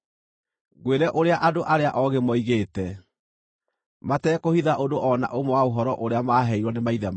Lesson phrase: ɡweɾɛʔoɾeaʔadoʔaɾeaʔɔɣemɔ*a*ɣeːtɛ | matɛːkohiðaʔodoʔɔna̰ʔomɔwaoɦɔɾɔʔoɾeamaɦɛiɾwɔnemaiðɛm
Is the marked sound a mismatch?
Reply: yes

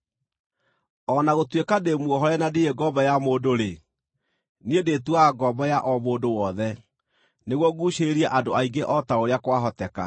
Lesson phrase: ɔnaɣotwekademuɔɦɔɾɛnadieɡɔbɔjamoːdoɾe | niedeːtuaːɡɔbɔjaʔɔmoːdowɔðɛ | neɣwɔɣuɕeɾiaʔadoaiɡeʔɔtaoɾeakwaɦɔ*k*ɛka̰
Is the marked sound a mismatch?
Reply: yes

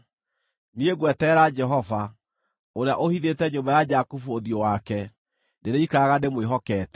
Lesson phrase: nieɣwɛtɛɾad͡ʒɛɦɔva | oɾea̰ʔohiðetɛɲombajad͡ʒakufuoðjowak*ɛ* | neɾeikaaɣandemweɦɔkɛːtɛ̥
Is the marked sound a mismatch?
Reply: no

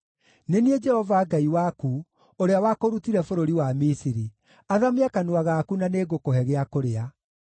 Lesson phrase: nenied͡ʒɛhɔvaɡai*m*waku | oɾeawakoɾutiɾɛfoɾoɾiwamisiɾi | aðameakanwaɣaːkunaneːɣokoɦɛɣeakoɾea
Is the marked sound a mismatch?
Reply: yes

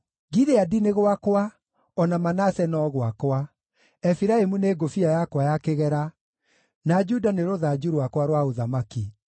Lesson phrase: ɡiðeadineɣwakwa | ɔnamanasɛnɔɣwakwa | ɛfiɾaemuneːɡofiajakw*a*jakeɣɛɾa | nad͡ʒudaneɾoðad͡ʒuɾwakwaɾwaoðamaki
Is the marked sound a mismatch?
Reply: no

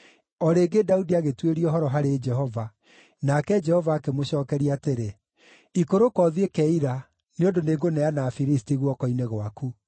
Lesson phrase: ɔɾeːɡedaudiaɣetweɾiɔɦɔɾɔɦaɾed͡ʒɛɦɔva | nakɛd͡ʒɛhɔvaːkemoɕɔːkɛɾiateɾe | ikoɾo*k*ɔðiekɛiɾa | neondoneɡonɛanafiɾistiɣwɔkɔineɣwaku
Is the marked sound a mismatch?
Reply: no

